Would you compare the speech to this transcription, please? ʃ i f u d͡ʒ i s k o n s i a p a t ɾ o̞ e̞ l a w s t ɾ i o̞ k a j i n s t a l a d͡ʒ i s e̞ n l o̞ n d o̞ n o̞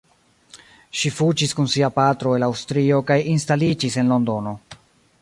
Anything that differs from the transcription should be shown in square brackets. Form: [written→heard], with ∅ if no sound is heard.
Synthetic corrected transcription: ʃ i f u d͡ʒ i s k [o→u] n s i a p a t ɾ o̞ e̞ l a w s t ɾ i o̞ k a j i n s t a l [a→i] d͡ʒ i s e̞ n l o̞ n d o̞ n o̞